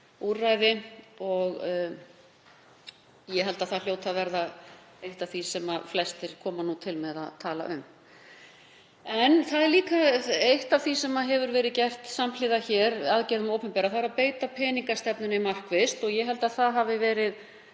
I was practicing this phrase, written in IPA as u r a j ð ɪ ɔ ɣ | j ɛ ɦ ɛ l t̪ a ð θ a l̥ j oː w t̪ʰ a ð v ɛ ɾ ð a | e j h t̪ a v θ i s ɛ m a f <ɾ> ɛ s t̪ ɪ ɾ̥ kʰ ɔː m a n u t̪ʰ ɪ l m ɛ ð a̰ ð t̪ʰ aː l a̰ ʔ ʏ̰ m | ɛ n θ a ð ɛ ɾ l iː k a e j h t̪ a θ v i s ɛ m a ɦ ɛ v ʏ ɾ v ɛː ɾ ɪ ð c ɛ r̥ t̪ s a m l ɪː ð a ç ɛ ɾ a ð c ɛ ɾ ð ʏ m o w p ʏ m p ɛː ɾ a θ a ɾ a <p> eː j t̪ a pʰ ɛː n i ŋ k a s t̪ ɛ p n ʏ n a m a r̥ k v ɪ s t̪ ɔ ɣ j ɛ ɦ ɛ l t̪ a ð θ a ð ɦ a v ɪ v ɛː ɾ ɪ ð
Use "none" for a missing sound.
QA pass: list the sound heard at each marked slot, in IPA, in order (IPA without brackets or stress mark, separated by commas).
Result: l, p